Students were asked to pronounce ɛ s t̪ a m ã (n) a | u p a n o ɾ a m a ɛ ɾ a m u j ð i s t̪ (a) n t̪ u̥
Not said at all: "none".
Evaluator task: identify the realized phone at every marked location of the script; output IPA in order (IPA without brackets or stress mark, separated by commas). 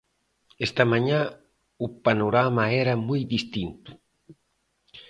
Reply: ɲ, i